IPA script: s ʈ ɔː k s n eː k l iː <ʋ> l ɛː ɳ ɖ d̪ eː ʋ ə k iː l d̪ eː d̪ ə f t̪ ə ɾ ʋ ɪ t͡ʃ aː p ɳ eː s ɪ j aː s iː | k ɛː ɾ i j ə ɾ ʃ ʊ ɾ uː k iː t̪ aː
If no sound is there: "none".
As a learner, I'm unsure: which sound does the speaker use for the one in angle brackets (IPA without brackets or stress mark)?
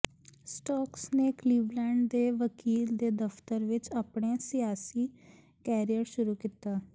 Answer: ʋ